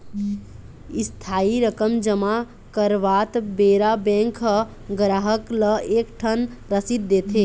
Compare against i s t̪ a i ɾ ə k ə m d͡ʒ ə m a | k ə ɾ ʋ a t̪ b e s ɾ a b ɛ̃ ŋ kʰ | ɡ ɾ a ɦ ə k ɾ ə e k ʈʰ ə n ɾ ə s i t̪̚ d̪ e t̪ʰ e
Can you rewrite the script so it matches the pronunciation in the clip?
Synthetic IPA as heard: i s t̪ʰ a i ɾ ə k ə m d͡ʒ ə m a | k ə ɾ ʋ a t̪ b e ɾ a b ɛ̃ ŋ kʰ | ɡ ɾ a ɦ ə k l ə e k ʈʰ ə n ɾ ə s i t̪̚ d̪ e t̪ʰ e